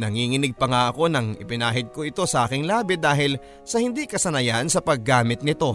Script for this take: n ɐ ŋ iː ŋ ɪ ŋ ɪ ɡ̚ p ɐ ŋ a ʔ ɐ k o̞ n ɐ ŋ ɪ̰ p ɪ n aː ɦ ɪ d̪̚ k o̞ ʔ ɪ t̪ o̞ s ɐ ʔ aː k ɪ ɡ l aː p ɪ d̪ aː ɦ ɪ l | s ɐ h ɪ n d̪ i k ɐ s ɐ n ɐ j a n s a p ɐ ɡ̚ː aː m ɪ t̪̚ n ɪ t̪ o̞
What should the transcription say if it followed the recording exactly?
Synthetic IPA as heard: n ɐ ŋ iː ŋ ɪ n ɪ ɡ̚ p ɐ ŋ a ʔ ɐ k o̞ n ɐ ŋ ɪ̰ p ɪ n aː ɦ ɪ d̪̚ k o̞ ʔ ɪ t̪ o̞ s ɐ ʔ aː k ɪ ŋ l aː b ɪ d̪ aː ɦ ɪ l | s ɐ h ɪ n d̪ i k ɐ s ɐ n ɐ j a n s ɐ p ɐ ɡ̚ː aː m ɪ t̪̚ n ɪ t̪ o̞